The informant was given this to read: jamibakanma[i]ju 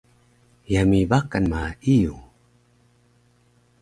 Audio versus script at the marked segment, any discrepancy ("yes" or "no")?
no